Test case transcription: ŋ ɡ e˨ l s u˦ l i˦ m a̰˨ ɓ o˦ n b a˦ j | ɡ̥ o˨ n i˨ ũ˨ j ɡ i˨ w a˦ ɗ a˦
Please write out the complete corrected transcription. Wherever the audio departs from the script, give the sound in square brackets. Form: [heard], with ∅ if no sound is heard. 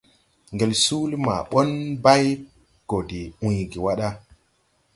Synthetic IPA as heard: ŋ ɡ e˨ l s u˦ l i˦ m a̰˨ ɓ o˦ n b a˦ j | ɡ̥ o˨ [d] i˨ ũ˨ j ɡ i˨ w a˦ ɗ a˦